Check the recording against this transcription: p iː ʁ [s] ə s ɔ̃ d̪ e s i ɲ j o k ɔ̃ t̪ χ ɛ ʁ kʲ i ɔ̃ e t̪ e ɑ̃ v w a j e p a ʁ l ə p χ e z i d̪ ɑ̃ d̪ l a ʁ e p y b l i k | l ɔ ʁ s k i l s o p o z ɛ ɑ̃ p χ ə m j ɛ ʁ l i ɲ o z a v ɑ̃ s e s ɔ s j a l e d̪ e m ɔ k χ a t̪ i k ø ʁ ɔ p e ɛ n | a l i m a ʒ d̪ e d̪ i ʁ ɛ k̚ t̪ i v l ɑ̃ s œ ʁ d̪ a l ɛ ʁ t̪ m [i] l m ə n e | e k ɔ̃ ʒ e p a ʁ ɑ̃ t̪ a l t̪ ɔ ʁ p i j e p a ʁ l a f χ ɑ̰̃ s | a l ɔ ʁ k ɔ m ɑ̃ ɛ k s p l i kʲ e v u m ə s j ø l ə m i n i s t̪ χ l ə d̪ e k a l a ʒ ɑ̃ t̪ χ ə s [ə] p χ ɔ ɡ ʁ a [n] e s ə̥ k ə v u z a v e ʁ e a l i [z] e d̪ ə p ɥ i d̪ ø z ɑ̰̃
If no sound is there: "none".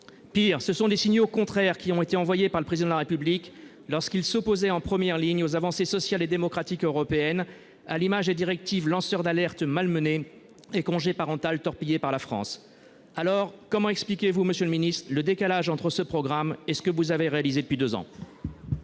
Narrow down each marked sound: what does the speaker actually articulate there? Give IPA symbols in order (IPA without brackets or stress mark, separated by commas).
s, a, ə, m, z